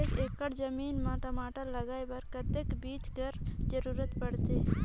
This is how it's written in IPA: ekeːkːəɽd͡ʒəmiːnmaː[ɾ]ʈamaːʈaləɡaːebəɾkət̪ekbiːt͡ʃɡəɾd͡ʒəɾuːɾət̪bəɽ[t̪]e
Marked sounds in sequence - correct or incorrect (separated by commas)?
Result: incorrect, correct